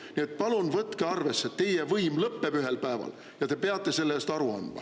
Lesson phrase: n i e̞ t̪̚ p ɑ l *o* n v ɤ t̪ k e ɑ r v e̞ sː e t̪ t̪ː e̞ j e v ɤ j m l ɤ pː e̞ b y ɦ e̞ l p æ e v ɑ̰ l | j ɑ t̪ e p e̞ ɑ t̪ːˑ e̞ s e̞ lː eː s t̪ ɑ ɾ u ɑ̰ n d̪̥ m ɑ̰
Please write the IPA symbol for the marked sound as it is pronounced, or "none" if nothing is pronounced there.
u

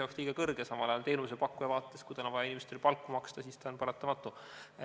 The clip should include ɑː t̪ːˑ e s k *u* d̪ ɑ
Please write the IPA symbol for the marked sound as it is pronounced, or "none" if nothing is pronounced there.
u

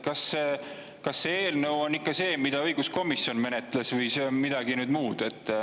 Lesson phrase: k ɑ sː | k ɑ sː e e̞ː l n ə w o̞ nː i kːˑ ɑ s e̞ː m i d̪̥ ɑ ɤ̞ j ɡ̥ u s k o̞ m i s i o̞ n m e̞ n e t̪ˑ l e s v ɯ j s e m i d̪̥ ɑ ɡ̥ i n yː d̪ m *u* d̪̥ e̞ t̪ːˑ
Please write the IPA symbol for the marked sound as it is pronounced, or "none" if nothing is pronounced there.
uː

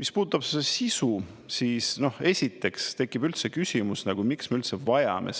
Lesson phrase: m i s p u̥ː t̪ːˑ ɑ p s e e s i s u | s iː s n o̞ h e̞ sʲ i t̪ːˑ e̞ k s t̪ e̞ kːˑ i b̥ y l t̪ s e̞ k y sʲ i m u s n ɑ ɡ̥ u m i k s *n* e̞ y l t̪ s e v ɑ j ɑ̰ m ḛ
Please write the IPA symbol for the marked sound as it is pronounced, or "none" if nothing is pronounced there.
m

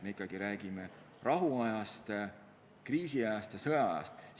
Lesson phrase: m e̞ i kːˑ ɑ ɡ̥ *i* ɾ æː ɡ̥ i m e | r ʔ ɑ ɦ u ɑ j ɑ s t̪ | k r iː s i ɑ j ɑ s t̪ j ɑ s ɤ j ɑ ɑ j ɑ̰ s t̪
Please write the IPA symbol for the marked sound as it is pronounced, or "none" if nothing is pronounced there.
i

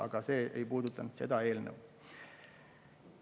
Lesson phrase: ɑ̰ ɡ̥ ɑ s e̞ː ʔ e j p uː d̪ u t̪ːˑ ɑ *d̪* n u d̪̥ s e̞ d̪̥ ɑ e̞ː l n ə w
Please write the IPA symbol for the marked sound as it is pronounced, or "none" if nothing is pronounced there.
none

